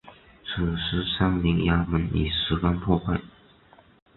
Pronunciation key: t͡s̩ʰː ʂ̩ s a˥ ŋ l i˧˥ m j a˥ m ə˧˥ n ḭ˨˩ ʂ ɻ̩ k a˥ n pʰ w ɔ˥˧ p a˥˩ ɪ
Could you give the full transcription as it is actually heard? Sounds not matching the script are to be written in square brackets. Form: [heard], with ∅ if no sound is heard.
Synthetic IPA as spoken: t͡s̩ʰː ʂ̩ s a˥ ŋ l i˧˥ [ŋ] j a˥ m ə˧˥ n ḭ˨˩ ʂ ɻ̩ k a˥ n pʰ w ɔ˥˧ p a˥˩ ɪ